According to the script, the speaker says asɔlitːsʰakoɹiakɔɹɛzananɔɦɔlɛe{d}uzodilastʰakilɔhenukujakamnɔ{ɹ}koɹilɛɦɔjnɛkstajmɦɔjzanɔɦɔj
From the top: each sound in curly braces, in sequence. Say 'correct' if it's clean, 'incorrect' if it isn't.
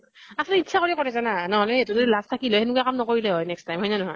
incorrect: t, incorrect: none

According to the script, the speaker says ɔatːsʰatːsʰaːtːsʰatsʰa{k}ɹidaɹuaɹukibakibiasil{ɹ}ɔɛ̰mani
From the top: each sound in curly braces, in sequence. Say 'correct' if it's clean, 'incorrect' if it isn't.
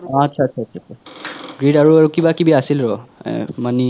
incorrect: ɡ, correct

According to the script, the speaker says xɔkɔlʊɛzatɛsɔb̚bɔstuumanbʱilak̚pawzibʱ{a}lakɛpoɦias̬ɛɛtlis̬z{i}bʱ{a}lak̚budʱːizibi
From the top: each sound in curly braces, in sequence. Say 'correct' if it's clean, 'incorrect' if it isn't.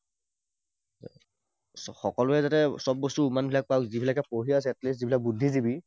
incorrect: i, correct, incorrect: i

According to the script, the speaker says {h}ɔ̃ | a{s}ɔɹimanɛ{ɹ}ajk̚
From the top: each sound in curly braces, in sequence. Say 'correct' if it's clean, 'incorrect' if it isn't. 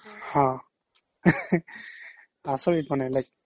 correct, correct, incorrect: l

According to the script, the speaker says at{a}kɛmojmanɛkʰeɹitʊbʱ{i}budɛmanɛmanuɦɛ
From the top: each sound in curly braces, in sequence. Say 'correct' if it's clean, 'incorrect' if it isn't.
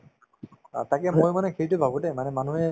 correct, incorrect: a

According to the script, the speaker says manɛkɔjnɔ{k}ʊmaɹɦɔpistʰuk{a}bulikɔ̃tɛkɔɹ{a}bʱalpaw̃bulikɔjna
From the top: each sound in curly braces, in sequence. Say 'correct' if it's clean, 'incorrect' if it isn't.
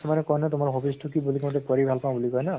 incorrect: t, incorrect: i, incorrect: i

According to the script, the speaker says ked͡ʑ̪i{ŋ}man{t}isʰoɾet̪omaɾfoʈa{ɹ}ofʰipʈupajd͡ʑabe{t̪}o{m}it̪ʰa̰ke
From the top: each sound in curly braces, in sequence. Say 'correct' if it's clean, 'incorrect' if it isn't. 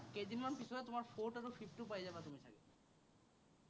incorrect: n, incorrect: p, incorrect: ɾ, correct, correct

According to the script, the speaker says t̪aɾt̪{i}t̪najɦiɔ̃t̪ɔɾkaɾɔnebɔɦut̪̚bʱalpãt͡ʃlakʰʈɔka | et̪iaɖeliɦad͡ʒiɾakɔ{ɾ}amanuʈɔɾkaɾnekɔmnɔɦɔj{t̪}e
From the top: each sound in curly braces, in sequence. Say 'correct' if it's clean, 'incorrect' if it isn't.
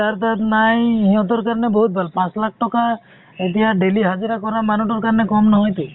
incorrect: a, correct, correct

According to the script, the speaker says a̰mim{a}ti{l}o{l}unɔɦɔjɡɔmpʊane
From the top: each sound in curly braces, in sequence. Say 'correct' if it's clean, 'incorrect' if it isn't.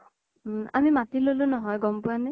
correct, correct, correct

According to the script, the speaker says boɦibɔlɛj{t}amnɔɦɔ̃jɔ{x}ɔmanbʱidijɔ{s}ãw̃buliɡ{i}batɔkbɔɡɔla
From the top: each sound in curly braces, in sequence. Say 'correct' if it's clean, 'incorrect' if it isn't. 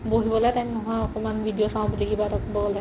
correct, incorrect: k, correct, correct

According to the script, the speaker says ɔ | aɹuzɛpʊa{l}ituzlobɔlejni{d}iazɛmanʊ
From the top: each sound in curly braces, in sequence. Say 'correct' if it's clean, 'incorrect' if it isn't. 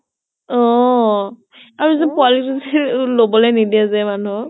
correct, correct

